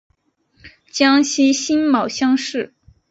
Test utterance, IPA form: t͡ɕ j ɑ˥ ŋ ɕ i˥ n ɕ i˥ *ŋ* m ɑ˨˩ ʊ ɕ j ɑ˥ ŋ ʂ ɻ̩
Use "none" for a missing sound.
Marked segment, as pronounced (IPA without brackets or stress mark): n